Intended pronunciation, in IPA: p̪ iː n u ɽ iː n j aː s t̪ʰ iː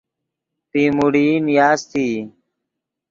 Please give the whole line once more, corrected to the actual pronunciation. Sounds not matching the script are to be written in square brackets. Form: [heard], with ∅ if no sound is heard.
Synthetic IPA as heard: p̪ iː [m] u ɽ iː n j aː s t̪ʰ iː